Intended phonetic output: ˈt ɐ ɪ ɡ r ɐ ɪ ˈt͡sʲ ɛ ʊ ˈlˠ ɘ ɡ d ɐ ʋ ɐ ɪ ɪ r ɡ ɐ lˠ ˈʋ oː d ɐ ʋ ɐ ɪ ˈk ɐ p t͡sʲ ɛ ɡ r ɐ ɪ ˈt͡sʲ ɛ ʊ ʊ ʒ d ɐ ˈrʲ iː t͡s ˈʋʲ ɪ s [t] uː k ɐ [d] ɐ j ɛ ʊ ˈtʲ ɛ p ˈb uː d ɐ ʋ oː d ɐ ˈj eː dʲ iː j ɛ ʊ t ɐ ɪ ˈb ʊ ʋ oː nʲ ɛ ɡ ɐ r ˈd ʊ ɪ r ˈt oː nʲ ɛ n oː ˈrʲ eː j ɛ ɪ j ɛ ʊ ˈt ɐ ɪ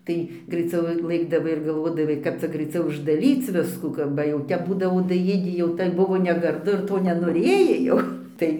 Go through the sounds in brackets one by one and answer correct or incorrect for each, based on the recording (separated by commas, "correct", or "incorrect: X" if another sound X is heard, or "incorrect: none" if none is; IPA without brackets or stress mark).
incorrect: k, incorrect: b